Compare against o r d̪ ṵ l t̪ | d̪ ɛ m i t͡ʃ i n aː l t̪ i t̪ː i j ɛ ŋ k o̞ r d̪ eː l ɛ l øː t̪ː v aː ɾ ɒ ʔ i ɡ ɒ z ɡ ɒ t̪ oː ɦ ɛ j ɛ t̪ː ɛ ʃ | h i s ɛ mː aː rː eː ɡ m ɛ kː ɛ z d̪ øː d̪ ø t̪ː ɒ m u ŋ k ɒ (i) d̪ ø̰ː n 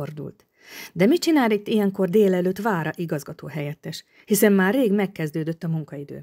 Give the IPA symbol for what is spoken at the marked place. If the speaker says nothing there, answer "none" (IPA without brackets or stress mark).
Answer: i